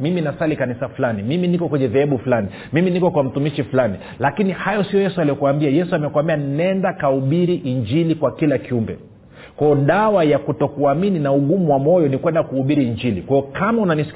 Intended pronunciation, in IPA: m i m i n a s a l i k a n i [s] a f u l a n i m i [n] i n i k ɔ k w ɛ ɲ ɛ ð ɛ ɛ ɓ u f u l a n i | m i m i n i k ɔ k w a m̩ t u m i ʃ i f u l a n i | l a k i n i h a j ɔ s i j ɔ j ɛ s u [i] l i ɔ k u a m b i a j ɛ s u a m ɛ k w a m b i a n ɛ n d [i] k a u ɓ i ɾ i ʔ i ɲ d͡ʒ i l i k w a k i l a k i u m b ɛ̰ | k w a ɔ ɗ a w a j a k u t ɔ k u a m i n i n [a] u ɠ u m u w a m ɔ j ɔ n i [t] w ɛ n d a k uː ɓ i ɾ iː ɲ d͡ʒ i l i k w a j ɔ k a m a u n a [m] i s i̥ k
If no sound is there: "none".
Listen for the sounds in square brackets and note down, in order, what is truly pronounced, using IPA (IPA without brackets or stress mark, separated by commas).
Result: s, m, a, a, a, k, n